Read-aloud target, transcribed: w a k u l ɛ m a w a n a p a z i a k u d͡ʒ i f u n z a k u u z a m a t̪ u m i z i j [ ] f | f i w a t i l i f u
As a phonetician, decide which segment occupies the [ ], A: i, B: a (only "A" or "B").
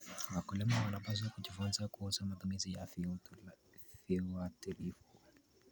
B